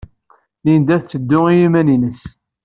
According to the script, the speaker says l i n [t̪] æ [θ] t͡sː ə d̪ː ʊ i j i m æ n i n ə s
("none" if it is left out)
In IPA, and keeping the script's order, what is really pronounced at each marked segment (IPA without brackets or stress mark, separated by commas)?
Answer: d̪, θ